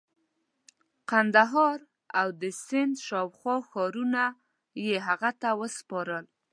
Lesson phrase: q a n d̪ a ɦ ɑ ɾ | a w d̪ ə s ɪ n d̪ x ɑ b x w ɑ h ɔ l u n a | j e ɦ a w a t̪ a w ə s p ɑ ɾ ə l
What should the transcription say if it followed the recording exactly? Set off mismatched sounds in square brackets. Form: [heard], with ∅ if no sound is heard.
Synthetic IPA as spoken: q a n d̪ a ɦ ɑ ɾ | a w d̪ ə s ɪ n d̪ [ʃ] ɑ [w] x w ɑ [x] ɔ [ɾ] u n a | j e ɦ a [ɣ] a t̪ a w ə s p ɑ ɾ ə l